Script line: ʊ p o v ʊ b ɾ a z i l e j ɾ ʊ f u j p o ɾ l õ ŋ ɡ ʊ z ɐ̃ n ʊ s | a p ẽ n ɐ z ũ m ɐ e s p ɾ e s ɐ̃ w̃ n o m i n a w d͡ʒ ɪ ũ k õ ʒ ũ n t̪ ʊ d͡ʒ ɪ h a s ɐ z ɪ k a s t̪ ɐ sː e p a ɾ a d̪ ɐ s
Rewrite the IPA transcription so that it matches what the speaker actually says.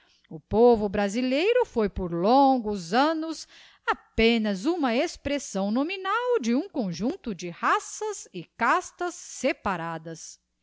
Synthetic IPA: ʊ p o v ʊ b ɾ a z i l e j ɾ ʊ f o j p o ɾ l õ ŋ ɡ ʊ z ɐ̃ n ʊ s | a p ẽ n ɐ z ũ m ɐ e s p ɾ e s ɐ̃ w̃ n o m i n a w d͡ʒ ɪ ũ k õ ʒ ũ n t̪ ʊ d͡ʒ ɪ h a s ɐ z ɪ k a s t̪ ɐ sː e p a ɾ a d̪ ɐ s